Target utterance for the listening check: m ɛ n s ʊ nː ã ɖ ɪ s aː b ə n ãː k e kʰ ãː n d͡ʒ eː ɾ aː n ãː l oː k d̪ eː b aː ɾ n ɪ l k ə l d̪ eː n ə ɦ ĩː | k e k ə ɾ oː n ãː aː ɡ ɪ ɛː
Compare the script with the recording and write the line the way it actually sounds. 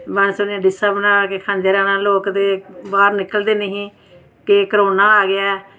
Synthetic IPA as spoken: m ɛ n s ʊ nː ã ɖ ɪ s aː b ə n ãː k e kʰ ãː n d͡ʒ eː ɾ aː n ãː l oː k d̪ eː b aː ɾ n ɪ k ə l d̪ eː n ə ɦ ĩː | k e k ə ɾ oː n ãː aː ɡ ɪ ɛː